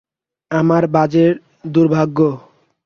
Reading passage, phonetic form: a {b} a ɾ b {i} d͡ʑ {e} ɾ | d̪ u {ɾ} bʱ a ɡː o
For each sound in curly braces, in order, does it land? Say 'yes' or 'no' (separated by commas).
no, no, yes, yes